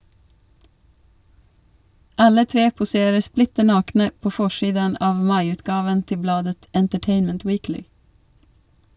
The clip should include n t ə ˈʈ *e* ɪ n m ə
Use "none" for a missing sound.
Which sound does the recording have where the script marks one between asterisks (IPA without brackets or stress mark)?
e